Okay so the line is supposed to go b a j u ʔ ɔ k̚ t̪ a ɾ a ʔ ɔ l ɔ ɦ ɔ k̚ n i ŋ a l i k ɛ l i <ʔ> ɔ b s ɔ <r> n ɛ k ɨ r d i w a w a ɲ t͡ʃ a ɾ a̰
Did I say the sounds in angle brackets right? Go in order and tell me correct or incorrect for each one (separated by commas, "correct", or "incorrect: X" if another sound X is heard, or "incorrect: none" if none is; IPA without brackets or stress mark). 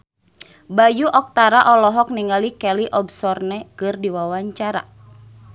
correct, correct